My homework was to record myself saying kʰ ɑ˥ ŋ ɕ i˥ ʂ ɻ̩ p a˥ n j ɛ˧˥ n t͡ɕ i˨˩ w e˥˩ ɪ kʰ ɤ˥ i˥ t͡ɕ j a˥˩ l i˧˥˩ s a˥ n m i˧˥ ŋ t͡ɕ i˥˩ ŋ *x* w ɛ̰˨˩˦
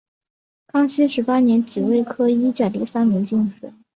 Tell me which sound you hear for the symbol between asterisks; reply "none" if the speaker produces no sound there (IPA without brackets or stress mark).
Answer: ʂ